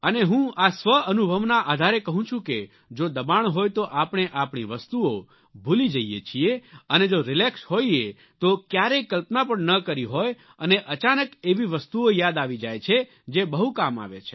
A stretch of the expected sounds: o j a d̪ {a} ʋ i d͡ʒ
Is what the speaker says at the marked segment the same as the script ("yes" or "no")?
yes